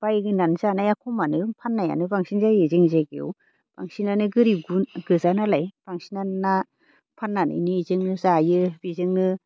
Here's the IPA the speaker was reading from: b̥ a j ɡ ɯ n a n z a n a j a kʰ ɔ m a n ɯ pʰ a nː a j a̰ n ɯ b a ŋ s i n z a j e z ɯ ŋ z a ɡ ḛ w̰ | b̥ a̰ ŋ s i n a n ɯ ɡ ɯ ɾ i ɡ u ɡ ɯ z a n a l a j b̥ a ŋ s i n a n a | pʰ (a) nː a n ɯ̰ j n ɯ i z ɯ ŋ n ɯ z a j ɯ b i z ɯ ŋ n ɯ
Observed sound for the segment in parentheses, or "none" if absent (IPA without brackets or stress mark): a